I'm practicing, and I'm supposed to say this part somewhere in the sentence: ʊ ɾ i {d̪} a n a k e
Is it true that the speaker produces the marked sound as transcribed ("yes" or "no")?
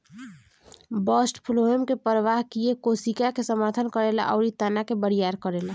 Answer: no